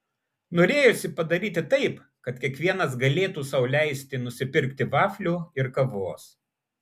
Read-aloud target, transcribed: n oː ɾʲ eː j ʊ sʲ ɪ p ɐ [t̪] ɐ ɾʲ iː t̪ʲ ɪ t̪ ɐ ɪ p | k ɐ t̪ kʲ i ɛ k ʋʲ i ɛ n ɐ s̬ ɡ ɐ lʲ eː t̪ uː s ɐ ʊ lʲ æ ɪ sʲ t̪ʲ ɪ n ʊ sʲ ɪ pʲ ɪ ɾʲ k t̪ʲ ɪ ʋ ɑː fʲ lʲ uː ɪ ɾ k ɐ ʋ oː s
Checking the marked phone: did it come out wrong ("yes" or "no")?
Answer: yes